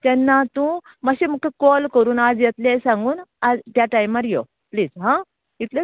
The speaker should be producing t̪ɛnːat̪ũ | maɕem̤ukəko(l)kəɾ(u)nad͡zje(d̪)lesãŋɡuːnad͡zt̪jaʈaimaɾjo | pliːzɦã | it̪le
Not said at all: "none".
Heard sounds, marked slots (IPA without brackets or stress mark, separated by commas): l, uː, t̪